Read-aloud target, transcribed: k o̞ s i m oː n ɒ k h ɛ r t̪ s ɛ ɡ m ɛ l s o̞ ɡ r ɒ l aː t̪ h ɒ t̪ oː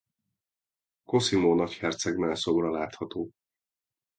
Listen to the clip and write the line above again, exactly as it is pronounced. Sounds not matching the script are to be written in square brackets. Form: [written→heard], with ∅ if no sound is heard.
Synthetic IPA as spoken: k o̞ s i m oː n ɒ [k→c] h ɛ r t̪ s ɛ ɡ m ɛ l s o̞ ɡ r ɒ l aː t̪ h ɒ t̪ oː